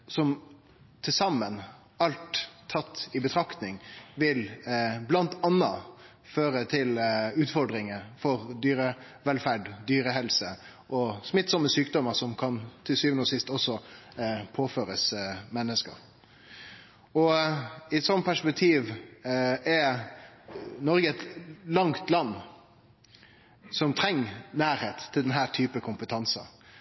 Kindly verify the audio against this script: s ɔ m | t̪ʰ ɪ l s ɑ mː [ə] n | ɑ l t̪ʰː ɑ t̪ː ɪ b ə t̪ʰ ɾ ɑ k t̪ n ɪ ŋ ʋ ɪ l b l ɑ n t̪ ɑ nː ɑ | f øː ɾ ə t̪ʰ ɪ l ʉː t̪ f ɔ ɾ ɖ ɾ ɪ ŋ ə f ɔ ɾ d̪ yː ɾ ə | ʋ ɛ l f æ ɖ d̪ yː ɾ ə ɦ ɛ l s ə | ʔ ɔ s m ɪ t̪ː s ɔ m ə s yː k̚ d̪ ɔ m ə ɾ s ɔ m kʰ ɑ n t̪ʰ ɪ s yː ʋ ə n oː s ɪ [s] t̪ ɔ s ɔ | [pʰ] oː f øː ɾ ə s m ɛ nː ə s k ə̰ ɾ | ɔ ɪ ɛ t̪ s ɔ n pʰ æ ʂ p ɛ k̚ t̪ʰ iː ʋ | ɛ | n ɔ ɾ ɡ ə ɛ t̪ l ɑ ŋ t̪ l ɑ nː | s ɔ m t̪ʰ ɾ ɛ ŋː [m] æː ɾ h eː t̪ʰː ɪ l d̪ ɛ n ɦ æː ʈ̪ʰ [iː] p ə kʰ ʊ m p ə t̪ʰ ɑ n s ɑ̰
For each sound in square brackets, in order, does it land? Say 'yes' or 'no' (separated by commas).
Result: yes, yes, yes, no, no